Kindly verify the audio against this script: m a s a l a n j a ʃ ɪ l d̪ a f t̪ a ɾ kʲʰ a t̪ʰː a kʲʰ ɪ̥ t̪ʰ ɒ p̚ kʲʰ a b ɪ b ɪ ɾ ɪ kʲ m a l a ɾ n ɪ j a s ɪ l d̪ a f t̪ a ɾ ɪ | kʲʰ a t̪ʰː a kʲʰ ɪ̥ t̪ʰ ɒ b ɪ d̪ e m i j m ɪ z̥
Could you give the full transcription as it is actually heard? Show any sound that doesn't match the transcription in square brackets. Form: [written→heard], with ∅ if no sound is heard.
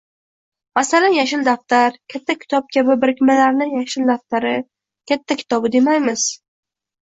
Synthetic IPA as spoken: m a s a l a n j a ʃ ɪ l d̪ a f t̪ a ɾ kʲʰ a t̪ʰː a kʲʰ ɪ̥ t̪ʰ ɒ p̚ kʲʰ a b ɪ b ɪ ɾ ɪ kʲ m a l a ɾ n ɪ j a [s→ʃ] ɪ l d̪ a f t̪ a ɾ ɪ | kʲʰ a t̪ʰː a kʲʰ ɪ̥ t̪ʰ ɒ b ɪ d̪ e m [i→a] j m ɪ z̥